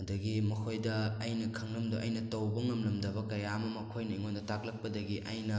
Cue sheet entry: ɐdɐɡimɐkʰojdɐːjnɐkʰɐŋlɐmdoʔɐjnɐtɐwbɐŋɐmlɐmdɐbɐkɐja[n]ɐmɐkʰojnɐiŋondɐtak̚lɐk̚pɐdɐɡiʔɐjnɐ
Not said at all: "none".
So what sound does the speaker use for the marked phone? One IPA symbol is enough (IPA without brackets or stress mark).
m